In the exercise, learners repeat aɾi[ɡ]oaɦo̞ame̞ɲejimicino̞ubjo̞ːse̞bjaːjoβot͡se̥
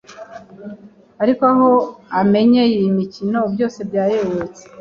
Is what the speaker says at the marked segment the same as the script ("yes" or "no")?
no